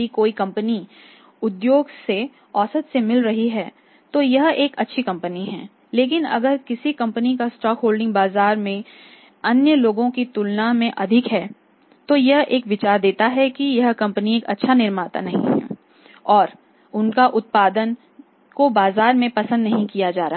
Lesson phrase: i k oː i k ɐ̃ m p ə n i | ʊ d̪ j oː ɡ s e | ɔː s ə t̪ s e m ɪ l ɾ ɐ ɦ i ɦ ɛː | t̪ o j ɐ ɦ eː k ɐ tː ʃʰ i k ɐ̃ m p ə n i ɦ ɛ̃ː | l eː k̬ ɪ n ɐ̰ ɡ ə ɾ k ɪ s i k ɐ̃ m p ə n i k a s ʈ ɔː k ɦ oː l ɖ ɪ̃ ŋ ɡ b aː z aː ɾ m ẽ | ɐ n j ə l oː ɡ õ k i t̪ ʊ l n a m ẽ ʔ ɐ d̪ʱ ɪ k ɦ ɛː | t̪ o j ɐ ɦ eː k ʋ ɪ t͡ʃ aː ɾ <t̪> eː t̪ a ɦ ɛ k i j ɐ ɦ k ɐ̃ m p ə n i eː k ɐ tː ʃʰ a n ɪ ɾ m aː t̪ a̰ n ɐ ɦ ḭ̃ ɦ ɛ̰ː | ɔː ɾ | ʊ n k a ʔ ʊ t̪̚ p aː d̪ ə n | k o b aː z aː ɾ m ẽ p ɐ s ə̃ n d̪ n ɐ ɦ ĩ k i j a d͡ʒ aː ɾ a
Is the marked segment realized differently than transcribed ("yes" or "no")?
yes